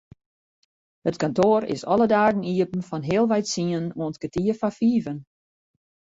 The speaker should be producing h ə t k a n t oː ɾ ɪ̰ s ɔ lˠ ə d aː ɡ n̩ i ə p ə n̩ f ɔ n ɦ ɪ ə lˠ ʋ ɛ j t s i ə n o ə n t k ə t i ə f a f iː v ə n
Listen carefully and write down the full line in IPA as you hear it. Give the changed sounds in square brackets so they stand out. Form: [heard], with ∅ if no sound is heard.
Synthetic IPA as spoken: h ə t k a n t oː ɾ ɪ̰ s ɔ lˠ ə d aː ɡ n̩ i ə p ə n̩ f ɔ n ɦ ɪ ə lˠ ʋ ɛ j t s i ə n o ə n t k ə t i ə f a f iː v ə n